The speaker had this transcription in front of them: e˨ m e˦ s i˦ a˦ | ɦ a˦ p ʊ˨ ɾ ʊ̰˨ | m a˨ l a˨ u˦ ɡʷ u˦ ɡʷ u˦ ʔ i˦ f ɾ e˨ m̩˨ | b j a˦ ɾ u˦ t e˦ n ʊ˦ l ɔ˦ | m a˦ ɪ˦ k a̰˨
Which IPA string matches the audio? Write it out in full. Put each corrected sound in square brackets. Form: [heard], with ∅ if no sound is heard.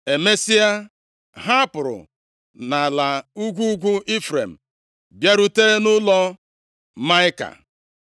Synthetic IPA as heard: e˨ m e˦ s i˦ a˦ | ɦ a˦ p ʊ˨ ɾ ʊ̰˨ | [n] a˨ l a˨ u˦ ɡʷ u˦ ɡʷ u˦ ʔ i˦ f ɾ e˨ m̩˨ | b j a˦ ɾ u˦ t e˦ n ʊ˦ l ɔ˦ | m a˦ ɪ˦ k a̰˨